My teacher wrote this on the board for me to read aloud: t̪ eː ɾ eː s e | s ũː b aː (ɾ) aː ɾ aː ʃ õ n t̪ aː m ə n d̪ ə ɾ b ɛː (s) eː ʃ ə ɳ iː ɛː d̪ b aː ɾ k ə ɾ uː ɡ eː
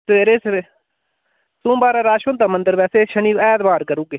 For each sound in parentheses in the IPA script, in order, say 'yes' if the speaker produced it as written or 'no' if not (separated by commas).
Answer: yes, yes